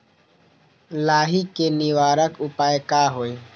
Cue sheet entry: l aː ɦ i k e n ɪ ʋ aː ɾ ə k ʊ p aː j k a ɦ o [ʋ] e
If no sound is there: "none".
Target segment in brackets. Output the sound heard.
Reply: none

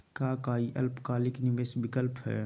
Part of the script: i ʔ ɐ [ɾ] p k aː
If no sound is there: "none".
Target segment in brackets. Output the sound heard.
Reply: l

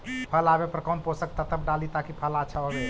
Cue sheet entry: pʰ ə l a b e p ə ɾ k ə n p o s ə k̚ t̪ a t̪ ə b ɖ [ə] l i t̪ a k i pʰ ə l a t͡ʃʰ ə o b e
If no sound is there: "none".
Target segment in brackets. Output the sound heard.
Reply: a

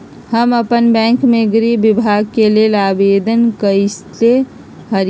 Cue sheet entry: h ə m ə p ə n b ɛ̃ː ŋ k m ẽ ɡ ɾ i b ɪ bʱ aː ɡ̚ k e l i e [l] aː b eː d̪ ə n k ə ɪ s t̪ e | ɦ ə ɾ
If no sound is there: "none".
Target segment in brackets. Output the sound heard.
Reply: l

